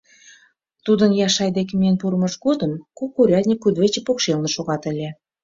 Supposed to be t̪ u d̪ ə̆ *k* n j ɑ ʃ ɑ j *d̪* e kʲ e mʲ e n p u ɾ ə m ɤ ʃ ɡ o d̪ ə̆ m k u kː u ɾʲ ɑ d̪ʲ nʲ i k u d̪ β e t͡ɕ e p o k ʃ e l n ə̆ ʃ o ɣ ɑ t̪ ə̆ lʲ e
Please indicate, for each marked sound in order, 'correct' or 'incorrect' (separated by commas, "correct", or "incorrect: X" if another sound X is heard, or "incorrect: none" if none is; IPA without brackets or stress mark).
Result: incorrect: none, correct